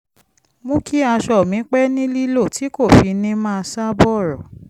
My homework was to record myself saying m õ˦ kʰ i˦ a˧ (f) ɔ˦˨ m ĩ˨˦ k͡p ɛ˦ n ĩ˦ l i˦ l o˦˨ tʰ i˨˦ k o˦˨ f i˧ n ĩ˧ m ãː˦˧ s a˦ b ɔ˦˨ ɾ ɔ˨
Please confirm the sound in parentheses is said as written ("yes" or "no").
no